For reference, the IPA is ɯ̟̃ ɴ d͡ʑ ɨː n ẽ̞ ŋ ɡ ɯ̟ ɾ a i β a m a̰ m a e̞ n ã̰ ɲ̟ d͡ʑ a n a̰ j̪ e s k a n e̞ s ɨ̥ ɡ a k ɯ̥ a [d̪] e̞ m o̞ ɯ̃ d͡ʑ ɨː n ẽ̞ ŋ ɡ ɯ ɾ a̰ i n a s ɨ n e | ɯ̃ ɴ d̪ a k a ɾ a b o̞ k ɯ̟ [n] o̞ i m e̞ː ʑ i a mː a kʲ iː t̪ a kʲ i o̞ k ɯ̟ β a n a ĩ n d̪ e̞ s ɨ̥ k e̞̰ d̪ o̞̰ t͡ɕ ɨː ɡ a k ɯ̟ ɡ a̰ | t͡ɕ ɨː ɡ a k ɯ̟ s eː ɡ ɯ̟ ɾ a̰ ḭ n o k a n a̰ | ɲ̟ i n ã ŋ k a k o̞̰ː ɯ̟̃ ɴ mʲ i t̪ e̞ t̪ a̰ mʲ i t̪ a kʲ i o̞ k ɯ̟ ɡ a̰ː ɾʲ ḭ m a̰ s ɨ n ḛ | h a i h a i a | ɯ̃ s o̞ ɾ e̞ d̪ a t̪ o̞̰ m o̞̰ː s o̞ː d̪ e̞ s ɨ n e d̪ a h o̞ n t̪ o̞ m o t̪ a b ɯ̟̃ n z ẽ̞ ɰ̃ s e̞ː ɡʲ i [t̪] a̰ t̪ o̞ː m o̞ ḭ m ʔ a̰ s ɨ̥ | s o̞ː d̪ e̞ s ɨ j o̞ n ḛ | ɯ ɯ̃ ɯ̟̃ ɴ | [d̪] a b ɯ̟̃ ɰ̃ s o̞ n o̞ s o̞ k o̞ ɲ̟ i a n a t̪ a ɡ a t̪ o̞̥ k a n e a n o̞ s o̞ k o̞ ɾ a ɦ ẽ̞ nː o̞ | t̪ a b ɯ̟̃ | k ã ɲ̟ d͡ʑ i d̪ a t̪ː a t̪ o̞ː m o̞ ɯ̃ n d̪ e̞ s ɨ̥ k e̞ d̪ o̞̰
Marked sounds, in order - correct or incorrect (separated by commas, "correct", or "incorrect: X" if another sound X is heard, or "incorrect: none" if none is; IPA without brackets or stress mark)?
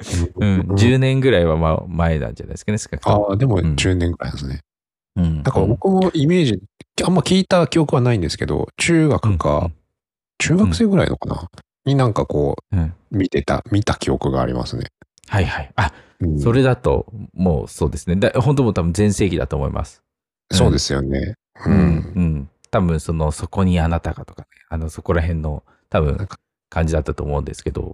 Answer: correct, incorrect: m, incorrect: d̪, incorrect: t̪